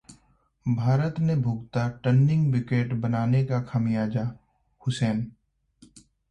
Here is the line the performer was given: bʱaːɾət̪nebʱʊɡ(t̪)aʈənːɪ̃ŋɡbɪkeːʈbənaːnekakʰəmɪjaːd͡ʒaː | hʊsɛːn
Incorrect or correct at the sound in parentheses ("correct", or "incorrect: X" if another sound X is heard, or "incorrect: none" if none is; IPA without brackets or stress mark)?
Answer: correct